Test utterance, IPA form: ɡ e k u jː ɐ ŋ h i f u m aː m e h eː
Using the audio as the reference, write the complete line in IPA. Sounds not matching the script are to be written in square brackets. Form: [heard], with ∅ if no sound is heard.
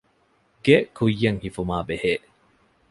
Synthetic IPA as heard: ɡ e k u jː ɐ ŋ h i f u m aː [b] e h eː